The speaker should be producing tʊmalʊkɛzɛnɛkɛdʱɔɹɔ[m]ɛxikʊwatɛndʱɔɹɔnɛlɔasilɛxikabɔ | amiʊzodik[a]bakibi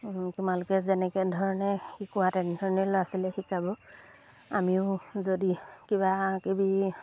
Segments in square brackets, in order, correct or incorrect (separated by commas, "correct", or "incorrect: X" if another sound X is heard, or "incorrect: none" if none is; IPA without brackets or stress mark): incorrect: n, incorrect: i